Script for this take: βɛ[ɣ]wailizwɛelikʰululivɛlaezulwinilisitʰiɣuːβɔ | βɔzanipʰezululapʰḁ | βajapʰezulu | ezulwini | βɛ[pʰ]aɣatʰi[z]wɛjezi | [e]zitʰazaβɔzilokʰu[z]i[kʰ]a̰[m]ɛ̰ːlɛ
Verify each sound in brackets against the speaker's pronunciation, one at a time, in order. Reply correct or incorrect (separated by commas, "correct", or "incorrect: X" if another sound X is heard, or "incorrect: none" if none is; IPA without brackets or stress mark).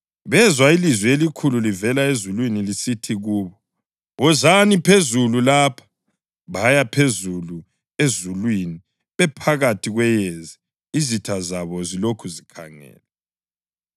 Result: incorrect: z, correct, incorrect: ɣ, incorrect: i, correct, correct, incorrect: ŋ